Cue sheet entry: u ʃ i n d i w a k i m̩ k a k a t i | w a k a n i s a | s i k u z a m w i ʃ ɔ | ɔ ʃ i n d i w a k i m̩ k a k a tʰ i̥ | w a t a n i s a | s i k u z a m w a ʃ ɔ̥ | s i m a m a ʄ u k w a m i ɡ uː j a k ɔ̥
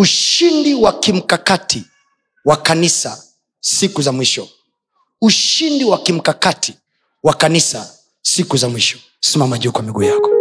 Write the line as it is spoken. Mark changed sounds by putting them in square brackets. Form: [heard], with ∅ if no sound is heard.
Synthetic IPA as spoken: u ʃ i n d i w a k i m̩ k a k a t i | w a k a n i s a | s i k u z a m w i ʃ ɔ | [u] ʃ i n d i w a k i m̩ k a k a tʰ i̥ | w a [k] a n i s a | s i k u z a m w [i] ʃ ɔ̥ | s i m a m a ʄ u k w a m i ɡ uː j a k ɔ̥